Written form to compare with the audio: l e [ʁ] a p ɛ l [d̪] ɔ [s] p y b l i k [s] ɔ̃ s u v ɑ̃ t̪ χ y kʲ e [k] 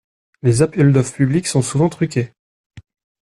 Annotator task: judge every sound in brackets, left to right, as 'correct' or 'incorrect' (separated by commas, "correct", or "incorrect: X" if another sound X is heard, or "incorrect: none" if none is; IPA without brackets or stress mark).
incorrect: z, correct, incorrect: f, correct, incorrect: none